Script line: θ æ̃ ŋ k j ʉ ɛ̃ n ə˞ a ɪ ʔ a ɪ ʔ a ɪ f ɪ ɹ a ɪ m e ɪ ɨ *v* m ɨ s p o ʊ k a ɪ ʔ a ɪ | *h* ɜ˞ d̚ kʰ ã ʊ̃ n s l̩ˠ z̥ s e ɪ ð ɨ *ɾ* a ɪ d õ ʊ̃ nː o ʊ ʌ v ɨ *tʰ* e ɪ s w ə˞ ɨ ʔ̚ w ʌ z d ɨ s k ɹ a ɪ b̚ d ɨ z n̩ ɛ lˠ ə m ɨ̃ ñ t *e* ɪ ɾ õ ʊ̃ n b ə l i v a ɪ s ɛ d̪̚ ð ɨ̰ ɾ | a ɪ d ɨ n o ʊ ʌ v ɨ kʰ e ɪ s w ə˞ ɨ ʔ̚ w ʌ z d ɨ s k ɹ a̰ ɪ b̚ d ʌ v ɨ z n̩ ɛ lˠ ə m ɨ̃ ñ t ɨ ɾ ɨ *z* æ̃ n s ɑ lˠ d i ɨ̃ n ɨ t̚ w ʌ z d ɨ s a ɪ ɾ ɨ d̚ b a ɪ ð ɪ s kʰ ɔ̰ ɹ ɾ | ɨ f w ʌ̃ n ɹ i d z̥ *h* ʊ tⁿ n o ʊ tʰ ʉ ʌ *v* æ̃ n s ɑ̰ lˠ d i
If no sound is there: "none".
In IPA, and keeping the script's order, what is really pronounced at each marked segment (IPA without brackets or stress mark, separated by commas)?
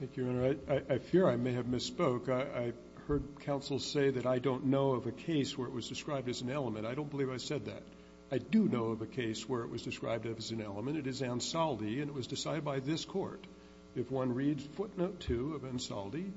v, h, ɾ, kʰ, a, z, f, v